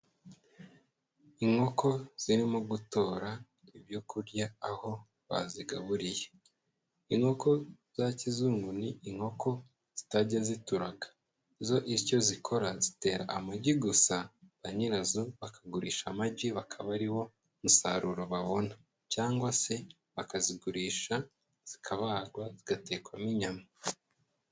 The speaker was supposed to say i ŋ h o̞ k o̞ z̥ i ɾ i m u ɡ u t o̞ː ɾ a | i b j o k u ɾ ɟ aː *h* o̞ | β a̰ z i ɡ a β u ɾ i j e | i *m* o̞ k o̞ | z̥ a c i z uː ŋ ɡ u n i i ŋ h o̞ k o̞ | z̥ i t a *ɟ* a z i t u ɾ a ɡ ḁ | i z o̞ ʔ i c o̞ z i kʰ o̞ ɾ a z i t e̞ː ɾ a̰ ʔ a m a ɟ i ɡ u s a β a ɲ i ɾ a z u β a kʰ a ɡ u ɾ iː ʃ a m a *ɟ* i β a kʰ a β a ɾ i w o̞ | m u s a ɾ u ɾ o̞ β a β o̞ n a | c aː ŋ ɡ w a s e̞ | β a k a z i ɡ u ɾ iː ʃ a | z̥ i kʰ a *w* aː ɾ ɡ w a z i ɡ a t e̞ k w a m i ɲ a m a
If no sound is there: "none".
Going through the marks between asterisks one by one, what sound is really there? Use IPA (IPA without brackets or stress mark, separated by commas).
h, ŋ, ɟ, ɟ, β